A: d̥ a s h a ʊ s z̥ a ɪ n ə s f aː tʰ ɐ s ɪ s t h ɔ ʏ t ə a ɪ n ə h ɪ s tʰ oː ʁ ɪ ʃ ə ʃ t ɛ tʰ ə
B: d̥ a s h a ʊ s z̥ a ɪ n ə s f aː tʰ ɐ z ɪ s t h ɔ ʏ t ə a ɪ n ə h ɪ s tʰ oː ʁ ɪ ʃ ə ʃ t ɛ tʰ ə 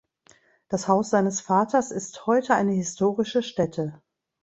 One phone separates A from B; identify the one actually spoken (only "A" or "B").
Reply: A